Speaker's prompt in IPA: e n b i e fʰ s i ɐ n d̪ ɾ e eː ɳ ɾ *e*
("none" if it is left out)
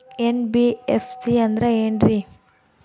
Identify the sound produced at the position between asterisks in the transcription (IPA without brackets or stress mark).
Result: i